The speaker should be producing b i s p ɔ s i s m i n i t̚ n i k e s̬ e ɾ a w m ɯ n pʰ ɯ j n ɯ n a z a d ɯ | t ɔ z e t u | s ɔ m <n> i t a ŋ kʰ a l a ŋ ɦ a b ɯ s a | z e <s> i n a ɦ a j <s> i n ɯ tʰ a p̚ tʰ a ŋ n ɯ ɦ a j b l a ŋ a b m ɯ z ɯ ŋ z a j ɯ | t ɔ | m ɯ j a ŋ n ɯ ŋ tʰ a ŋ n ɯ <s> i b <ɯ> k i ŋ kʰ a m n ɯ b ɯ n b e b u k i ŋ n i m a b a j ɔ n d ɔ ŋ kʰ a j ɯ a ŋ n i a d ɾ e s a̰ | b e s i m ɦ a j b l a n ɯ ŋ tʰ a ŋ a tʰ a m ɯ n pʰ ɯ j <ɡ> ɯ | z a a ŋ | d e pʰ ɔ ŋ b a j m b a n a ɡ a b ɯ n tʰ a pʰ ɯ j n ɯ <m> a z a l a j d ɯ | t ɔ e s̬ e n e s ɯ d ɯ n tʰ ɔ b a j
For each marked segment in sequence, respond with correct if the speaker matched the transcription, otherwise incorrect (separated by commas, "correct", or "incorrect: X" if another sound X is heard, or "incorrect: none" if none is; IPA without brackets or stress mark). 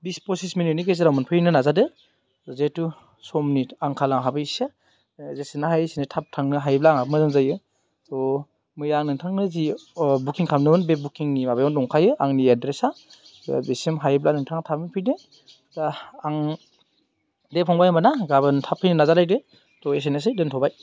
correct, correct, correct, incorrect: z, incorrect: u, incorrect: d, incorrect: n